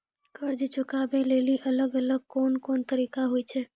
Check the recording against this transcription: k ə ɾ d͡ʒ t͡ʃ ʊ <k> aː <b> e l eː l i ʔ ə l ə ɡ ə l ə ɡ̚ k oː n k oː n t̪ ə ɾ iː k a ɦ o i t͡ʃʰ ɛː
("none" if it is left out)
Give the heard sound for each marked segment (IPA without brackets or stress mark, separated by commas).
k, b